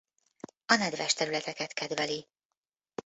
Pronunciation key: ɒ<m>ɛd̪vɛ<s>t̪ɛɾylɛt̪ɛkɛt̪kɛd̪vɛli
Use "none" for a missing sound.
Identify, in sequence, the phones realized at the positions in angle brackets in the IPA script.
n, ʃ

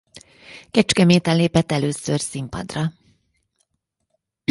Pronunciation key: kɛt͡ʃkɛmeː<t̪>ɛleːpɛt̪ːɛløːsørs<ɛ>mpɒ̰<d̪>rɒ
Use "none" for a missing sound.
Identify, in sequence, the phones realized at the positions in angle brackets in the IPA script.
t̪, i, d̪

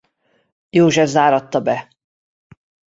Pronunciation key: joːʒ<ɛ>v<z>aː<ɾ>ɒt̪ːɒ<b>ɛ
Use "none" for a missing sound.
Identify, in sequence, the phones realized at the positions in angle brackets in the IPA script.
ɛ, z, ɾ, b

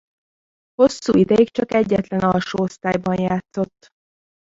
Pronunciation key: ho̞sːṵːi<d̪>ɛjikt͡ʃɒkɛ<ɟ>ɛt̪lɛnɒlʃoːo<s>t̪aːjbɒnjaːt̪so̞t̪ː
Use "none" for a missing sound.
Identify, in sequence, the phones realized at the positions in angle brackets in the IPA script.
d̪, ɟː, s

